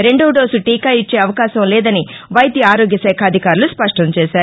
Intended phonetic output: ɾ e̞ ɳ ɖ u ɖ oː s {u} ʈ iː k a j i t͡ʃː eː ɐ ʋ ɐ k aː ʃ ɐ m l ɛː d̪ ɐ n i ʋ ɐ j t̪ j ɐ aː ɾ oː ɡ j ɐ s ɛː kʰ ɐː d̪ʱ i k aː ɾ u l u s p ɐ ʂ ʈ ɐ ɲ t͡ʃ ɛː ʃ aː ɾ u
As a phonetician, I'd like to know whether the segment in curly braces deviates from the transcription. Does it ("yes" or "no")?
no